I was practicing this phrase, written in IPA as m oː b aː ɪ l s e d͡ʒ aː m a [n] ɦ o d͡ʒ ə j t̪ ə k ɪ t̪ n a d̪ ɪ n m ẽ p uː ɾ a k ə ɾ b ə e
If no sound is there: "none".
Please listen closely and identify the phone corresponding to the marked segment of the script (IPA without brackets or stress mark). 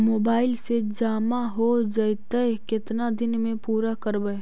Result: none